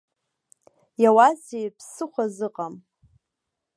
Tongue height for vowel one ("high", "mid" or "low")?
low